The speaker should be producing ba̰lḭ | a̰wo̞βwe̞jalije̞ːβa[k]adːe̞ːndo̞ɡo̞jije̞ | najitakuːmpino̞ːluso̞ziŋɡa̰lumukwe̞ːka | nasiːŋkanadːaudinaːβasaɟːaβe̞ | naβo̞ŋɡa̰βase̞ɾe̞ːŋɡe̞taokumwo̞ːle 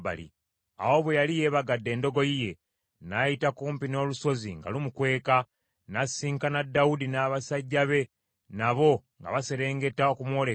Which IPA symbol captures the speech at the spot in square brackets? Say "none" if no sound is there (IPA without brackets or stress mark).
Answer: ɡ